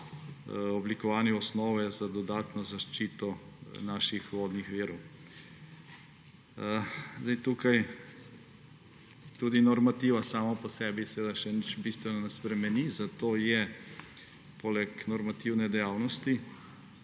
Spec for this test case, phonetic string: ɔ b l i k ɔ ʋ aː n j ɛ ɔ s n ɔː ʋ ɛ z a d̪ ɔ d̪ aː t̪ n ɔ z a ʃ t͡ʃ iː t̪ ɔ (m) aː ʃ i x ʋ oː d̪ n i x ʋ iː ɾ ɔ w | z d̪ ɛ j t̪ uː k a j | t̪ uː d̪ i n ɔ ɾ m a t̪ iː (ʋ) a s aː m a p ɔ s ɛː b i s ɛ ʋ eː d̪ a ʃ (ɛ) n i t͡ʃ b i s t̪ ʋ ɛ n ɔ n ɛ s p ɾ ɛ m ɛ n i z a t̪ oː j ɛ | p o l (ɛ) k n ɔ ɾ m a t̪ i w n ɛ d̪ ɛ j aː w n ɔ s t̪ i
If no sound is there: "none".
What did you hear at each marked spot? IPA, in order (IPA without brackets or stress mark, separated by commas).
n, ʋ, ɛ, ɛ